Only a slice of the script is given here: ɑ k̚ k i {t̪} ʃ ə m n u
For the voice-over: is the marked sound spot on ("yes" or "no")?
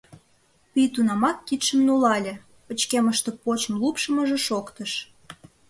yes